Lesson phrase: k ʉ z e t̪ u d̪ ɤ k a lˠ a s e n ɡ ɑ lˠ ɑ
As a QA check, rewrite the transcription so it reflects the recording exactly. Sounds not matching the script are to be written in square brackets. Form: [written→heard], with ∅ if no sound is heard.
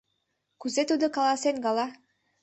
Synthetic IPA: k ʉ z e t̪ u d̪ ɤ k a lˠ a s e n ɡ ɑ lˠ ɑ